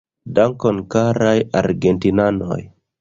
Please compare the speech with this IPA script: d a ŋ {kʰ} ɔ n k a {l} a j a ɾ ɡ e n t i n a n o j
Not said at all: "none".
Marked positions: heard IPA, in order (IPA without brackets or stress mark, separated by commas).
k, ɾ